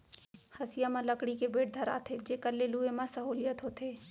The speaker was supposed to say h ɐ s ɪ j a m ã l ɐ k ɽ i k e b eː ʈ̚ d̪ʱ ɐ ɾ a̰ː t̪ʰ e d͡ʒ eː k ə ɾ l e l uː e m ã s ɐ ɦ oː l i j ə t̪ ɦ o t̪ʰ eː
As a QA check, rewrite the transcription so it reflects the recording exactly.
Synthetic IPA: h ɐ s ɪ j a m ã l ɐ k ɽ i k e b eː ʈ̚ d̪ʱ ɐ ɾ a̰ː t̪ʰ e d͡ʒ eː k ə ɾ l e l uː e m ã s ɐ ɦ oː l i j ə t̪ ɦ o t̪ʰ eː